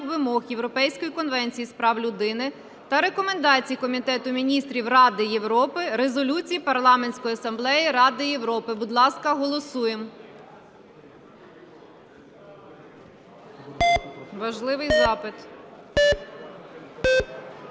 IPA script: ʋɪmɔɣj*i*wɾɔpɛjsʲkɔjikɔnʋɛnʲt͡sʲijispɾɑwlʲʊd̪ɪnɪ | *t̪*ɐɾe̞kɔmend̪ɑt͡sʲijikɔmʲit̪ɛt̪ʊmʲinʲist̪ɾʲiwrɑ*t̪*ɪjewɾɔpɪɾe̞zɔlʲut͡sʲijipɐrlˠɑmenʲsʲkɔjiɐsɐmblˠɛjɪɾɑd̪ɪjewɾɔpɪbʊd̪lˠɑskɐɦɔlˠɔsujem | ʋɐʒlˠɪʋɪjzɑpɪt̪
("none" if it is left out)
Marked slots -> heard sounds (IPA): e, t̪, d̪

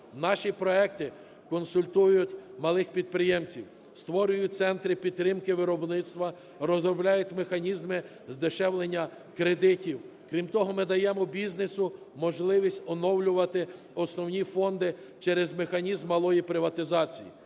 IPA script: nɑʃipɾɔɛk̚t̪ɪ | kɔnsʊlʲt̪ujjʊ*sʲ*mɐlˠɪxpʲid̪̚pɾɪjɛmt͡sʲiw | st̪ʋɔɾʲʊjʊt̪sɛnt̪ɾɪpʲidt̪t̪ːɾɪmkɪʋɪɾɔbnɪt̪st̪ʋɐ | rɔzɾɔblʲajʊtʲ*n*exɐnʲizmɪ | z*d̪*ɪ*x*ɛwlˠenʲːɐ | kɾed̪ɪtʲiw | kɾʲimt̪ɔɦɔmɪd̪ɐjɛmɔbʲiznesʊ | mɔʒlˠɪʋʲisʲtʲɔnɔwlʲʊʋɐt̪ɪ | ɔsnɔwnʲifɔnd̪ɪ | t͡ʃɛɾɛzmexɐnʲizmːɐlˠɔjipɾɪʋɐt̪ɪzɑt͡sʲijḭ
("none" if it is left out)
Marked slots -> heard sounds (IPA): tʲ, m, d̪, ʃ

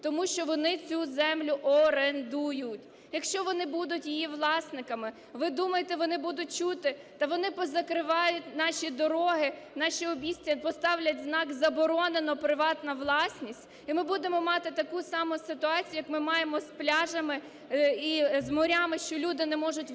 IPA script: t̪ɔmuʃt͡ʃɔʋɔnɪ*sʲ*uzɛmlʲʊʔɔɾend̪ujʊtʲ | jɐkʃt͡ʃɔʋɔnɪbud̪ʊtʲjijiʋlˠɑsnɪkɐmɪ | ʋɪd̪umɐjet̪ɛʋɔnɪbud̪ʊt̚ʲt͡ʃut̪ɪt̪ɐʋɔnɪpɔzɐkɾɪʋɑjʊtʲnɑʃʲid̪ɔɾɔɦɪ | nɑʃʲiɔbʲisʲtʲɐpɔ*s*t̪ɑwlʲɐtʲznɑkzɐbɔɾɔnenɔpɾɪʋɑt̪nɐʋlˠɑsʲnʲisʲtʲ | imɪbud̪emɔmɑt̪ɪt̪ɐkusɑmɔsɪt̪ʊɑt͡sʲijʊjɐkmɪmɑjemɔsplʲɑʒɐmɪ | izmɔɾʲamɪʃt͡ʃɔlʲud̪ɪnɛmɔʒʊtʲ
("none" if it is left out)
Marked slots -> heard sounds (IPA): t͡sʲ, s

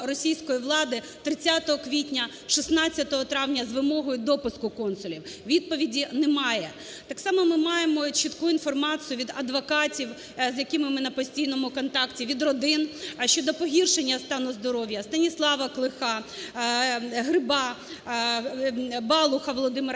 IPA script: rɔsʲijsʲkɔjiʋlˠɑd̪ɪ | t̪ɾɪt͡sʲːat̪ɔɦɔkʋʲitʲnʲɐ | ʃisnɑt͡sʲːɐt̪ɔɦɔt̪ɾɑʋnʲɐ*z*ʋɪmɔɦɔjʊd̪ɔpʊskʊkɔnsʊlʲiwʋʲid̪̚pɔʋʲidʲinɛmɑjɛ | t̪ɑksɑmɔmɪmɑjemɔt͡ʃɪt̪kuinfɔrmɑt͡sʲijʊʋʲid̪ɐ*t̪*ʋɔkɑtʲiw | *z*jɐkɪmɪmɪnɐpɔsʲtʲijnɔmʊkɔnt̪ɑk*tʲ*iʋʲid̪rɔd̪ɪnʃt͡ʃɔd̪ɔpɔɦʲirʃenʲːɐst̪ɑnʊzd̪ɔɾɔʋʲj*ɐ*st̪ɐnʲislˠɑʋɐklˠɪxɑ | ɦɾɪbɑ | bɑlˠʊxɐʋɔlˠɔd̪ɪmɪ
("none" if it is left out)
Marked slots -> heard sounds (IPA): z, d̪, z, tʲ, ɐ

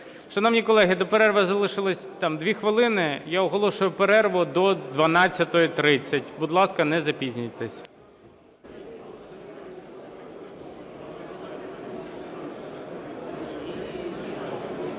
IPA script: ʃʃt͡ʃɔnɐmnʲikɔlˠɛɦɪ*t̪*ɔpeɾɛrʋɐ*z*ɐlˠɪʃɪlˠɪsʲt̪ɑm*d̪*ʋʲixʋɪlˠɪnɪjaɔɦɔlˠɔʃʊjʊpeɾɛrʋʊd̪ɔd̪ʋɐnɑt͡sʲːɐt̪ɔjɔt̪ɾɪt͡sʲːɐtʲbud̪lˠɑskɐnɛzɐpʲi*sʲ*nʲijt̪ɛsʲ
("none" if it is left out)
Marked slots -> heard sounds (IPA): d̪, z, d̪, zʲ

